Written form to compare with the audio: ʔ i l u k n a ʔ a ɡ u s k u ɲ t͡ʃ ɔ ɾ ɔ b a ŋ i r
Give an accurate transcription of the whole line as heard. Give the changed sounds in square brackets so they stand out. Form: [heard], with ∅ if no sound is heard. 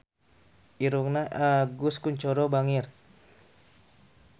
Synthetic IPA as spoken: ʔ i [ɾ] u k n a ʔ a ɡ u s k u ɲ t͡ʃ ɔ ɾ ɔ b a ŋ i r